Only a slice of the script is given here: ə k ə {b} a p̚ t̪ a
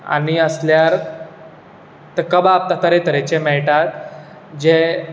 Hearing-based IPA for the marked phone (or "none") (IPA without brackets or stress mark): b